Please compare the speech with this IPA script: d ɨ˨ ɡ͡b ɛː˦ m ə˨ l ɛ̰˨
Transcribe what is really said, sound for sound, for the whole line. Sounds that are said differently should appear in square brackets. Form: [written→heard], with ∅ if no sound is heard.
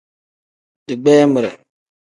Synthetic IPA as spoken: d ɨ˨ ɡ͡b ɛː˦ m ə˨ [l→ɾ] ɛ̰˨